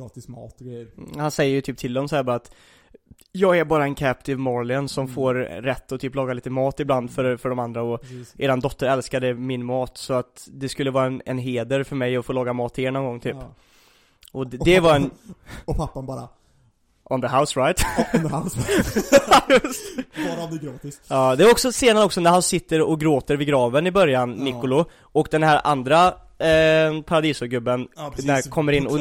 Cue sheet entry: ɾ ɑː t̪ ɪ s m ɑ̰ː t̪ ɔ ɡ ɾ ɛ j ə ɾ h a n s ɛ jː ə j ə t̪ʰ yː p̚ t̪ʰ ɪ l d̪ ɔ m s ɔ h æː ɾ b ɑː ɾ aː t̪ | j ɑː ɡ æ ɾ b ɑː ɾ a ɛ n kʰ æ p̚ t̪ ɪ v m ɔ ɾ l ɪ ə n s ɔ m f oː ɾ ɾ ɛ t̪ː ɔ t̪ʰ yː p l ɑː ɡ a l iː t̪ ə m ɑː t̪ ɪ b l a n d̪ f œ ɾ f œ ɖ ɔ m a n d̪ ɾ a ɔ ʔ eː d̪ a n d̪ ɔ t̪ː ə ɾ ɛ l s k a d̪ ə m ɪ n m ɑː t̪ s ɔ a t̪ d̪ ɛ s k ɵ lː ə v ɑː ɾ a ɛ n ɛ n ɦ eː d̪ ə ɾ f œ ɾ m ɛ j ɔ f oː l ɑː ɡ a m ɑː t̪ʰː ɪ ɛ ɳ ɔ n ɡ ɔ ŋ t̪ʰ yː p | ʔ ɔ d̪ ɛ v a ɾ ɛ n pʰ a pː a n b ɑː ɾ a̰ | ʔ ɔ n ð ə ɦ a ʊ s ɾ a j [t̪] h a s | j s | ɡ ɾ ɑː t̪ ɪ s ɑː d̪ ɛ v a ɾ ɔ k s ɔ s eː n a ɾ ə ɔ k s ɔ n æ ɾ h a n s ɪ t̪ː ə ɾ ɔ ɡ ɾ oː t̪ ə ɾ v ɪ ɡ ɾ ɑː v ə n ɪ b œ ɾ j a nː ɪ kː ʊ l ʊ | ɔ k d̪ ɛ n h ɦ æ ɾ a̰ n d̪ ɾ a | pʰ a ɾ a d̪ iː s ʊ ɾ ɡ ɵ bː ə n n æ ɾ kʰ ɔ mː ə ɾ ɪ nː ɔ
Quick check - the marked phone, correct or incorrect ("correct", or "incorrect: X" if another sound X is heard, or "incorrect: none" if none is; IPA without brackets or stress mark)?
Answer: correct